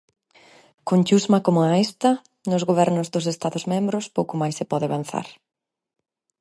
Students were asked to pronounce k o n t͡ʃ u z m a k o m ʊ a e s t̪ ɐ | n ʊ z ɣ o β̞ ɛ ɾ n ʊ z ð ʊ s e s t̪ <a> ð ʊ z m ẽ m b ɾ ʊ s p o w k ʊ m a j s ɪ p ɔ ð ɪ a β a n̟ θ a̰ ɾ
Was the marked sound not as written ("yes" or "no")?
no